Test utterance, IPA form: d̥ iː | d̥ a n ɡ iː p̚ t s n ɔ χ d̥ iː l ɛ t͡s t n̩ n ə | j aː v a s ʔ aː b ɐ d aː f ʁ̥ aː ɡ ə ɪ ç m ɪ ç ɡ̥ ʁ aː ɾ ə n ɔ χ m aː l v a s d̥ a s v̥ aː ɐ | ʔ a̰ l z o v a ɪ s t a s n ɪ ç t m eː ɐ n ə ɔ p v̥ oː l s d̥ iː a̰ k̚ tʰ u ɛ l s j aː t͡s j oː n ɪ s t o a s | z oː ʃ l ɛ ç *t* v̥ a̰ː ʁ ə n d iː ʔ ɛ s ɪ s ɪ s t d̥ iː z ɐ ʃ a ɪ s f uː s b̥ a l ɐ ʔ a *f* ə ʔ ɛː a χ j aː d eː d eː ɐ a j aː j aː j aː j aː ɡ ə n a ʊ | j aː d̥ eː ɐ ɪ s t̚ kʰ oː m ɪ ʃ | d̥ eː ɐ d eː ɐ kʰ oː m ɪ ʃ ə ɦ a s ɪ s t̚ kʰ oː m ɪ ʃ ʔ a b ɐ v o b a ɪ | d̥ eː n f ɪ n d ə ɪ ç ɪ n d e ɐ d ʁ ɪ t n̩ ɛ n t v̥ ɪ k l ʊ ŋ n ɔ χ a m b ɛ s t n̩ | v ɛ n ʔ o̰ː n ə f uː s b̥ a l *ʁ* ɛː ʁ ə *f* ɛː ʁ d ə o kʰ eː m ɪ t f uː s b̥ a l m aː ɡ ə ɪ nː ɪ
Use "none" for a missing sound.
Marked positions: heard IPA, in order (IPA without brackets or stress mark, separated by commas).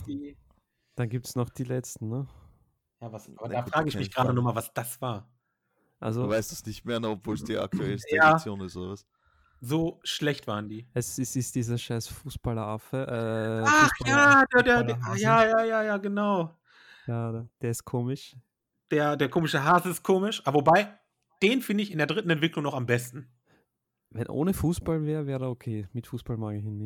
t, f, v, v